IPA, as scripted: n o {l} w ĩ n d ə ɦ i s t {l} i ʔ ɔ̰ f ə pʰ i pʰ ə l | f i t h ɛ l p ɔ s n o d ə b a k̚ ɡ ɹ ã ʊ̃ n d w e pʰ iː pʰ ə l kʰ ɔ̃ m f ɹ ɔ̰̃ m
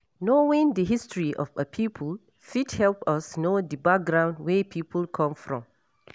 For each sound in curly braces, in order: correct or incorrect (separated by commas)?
incorrect, incorrect